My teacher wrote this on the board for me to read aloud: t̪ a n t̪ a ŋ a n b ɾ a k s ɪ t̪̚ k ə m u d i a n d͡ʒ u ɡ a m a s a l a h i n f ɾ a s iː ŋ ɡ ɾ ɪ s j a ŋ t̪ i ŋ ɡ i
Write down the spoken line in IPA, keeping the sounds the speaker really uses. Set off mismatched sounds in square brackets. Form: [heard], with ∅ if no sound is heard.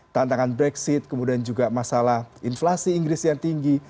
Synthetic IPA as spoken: t̪ a n t̪ a ŋ a n b ɾ [ɛ] k s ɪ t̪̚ k ə m u d i a n d͡ʒ u ɡ a m a s a l a h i n f [l] a s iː ŋ ɡ ɾ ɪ s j a ŋ t̪ i ŋ ɡ i